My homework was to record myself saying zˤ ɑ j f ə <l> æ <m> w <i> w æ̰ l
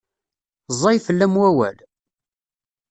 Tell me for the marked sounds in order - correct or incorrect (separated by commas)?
incorrect, correct, incorrect